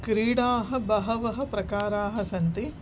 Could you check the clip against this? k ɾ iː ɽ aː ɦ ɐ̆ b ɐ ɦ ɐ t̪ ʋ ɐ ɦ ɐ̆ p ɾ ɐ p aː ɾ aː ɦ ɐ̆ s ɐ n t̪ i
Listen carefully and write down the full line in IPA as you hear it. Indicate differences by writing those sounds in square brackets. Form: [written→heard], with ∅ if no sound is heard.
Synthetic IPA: k ɾ iː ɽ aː ɦ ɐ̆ b ɐ ɦ ɐ [t̪→∅] ʋ ɐ ɦ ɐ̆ p ɾ ɐ [p→k] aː ɾ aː ɦ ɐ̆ s ɐ n t̪ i